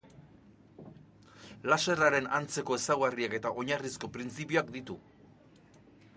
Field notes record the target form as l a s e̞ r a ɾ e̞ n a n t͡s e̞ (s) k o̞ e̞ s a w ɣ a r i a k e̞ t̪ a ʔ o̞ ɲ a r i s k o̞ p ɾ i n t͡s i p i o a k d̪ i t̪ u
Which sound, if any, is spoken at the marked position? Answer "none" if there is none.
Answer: none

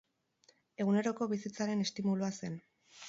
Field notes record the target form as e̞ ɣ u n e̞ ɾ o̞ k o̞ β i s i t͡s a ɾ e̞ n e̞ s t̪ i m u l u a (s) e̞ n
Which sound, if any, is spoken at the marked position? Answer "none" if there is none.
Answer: s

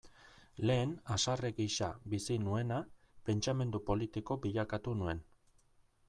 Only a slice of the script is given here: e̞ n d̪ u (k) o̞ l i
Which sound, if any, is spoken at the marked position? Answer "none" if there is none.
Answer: p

